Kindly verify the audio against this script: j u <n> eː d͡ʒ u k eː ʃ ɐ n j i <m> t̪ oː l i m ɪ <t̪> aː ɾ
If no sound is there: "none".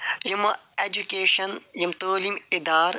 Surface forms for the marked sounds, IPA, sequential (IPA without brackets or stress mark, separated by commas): m, m, d̪